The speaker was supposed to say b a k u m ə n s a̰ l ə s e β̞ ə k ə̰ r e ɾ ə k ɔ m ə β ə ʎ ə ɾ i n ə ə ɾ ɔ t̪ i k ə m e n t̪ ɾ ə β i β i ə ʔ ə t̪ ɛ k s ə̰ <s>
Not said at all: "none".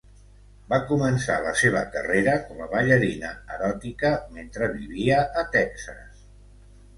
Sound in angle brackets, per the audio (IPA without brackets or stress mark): s